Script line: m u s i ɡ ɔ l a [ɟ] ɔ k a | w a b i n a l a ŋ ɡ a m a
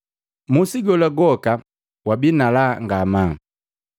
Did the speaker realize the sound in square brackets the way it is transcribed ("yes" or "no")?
no